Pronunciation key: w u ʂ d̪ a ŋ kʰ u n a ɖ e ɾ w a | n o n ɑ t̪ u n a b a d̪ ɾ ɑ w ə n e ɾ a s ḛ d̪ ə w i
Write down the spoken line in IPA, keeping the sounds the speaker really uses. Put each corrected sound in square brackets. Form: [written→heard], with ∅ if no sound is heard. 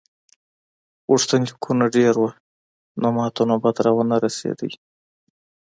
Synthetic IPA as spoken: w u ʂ [d̪→t̪] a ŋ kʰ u n a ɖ e ɾ w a | n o [n→m] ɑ t̪ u n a b a d̪ ɾ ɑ w ə n [e→a] ɾ a s ḛ d̪ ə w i

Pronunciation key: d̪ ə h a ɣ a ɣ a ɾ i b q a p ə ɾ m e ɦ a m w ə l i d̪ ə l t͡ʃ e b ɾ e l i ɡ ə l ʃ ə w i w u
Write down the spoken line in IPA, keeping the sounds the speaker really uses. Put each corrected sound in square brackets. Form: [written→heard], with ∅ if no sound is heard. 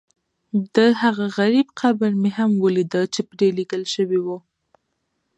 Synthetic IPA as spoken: d̪ ə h a ɣ a ɣ a ɾ i b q a [p→b] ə ɾ m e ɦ a m w ə l i d̪ ə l t͡ʃ e [b→p] ɾ e l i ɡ ə l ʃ ə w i w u

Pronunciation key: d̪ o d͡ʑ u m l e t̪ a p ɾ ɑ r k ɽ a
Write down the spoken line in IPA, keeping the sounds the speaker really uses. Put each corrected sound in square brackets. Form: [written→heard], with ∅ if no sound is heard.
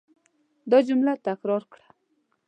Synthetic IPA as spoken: d̪ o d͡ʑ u m l [e→a] t̪ a [p→k] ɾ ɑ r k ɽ a

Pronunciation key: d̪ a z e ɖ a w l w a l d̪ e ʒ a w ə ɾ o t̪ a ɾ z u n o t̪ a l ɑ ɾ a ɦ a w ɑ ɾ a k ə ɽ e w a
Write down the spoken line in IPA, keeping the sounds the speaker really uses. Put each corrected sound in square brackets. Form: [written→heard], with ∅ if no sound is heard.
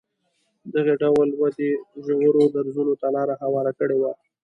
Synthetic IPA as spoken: d̪ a [z→ɣ] e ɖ a w l w a [l→∅] d̪ e ʒ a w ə ɾ o [t̪→d̪] a ɾ z u n o t̪ a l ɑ ɾ a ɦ a w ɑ ɾ a k ə ɽ e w a

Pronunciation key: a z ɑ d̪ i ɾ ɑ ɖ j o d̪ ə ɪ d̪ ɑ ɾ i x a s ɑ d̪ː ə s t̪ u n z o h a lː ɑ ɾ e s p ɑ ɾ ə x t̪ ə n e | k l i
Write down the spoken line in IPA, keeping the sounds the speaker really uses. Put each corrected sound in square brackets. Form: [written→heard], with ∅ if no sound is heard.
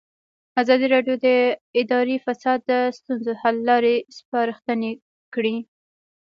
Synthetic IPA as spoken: a z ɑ d̪ i ɾ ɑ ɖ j o d̪ ə ɪ d̪ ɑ ɾ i [x→f] a s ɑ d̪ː ə s t̪ u n z o h a lː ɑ ɾ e s p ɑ ɾ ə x t̪ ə n e | k [l→ɽ] i

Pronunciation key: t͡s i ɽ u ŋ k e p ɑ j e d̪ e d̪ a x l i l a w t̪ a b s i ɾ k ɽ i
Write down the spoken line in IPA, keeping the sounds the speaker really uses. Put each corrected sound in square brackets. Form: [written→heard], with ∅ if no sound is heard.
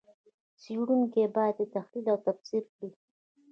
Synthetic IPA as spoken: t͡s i ɽ u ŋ k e [p→b] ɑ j [e→a] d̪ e [d̪→t̪] a x l i l a w t̪ a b s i ɾ k ɽ i

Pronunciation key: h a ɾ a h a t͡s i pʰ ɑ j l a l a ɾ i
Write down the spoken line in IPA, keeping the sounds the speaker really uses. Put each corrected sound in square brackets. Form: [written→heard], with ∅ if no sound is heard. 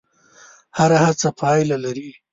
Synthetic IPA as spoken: h a ɾ a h a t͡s [i→a] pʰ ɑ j l a l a ɾ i

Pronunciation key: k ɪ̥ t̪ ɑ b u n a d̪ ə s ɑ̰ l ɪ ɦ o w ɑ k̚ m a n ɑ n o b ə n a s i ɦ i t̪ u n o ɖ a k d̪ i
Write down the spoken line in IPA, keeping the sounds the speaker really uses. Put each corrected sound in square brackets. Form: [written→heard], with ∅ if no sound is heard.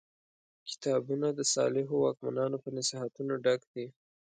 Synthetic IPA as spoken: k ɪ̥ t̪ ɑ b u n a d̪ ə s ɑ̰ l ɪ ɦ o w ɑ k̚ m a n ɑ n o [b→p] ə n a s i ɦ [i→a] t̪ u n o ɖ a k d̪ i

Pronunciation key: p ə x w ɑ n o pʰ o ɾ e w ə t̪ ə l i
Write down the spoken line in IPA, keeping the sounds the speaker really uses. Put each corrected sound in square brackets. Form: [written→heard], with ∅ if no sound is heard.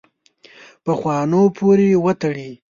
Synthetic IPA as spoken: p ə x w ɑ n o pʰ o ɾ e w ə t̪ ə [l→ɽ] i

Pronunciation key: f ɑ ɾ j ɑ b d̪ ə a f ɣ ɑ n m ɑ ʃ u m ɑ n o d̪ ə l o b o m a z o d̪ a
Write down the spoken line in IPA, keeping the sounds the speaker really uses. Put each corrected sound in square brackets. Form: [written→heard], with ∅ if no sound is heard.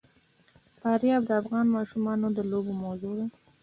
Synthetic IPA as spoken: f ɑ ɾ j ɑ b d̪ ə a f ɣ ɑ n m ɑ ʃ u m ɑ n o d̪ ə l o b o m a z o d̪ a

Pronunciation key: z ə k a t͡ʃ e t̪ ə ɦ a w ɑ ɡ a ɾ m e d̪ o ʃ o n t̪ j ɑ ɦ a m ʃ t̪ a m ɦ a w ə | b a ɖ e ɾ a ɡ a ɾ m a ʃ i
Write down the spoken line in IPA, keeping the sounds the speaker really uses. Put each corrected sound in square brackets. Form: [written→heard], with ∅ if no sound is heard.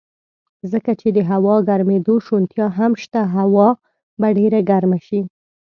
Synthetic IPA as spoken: z ə k a t͡ʃ e [t̪→d̪] ə ɦ a w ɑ ɡ a ɾ m e d̪ o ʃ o n t̪ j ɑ ɦ a m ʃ t̪ a [m→∅] ɦ a w [ə→ɑ] | b a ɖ e ɾ a ɡ a ɾ m a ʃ i

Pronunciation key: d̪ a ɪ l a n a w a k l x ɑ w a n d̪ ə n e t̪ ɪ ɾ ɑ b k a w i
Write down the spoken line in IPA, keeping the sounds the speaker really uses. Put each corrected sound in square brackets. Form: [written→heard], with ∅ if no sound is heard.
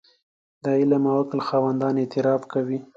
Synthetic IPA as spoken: d̪ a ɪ l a [n→m] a w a k l x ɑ w a n d̪ [ə→ɑ] n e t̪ ɪ ɾ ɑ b k a w i

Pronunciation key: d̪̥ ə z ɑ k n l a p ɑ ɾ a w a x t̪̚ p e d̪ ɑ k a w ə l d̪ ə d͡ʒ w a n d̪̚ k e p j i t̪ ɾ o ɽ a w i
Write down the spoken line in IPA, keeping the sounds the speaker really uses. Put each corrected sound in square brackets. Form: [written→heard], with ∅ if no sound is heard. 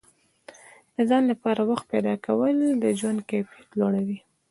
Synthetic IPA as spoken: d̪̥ ə z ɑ [k→∅] n l a p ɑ ɾ a w a x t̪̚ p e d̪ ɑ k a w ə l d̪ ə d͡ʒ w a n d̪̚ k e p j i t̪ [ɾ→l] o ɽ a w i

